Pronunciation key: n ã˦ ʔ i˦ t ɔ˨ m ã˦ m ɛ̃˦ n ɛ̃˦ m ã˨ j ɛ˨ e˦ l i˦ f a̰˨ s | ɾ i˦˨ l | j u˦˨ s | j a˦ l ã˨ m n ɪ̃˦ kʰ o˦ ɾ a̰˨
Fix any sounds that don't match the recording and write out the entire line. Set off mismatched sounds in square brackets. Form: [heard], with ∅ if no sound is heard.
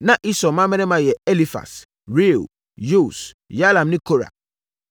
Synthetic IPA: n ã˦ ʔ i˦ [s] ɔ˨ m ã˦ m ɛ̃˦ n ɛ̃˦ m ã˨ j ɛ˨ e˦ l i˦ f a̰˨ s | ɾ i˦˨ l | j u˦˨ s | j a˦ l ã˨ m n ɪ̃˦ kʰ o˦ ɾ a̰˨